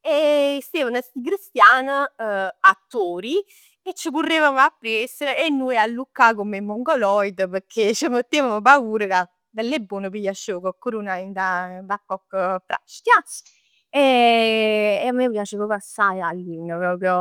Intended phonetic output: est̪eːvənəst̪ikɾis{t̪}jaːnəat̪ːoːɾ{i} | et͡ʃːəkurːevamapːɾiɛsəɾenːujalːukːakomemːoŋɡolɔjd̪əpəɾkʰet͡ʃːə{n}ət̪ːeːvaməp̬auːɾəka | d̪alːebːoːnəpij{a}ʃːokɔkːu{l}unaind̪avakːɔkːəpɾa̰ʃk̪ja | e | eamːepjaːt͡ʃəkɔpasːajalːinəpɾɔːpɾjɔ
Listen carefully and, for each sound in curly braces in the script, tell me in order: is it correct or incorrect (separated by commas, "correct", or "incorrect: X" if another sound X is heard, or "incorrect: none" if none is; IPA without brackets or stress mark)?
correct, correct, incorrect: m, correct, incorrect: ɾ